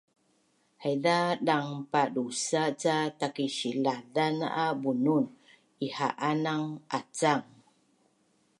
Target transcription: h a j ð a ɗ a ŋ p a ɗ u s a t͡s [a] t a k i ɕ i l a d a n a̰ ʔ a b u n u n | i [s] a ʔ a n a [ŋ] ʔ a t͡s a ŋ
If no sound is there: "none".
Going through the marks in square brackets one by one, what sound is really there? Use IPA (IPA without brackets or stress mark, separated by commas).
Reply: a, h, ŋ